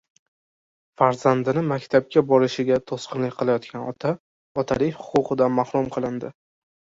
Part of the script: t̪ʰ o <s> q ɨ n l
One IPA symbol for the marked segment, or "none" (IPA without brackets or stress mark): s